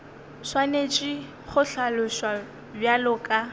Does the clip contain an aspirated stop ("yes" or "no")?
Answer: no